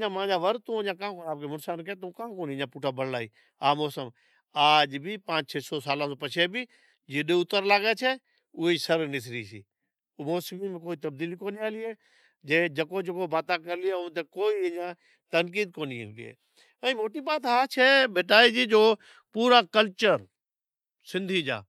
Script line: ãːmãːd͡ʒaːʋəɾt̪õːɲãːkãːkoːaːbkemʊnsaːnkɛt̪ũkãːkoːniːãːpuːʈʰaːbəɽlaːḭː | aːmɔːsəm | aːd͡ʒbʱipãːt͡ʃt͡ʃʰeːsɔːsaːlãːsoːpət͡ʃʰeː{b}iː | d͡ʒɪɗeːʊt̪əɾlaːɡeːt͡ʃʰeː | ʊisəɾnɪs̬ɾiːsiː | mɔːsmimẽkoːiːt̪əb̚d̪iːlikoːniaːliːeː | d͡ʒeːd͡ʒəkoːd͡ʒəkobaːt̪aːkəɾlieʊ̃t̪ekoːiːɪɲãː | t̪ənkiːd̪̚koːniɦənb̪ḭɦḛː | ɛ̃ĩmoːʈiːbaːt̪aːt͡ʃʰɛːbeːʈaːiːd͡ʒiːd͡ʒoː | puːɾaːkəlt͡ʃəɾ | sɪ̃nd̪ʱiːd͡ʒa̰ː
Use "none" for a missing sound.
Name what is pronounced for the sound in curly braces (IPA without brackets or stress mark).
b